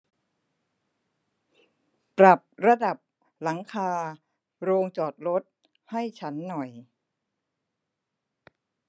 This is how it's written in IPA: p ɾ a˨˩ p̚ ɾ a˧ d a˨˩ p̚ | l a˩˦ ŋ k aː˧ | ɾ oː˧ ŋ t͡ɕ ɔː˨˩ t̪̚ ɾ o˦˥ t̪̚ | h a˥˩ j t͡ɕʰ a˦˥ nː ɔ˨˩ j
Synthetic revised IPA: p ɾ a˨˩ p̚ ɾ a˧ d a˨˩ p̚ | l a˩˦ ŋ kʰ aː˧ | ɾ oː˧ ŋ t͡ɕ ɔː˨˩ t̪̚ ɾ o˦˥ t̪̚ | h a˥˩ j t͡ɕʰ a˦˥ nː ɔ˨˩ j